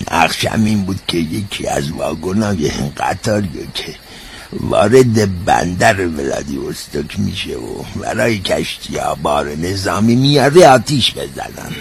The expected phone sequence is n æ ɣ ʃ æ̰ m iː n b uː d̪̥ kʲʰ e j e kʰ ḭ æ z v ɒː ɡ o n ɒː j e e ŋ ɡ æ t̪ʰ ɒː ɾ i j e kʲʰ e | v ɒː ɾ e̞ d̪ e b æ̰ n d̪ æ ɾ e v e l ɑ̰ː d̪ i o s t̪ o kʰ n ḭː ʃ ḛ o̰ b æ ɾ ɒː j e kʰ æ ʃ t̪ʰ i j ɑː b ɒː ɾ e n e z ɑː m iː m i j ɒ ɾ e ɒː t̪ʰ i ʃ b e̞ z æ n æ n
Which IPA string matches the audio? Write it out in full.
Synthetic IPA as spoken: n æ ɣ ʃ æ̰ m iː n b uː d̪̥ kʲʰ e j e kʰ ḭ æ z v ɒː ɡ o n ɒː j e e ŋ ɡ æ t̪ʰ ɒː ɾ i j e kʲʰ e | v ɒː ɾ e̞ d̪ e b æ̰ n d̪ æ ɾ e v e l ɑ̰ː d̪ i o s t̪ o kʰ m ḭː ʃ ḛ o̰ b æ ɾ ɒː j e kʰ æ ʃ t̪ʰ i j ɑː b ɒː ɾ e n e z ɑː m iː m i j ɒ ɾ e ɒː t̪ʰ i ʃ b e̞ z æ n æ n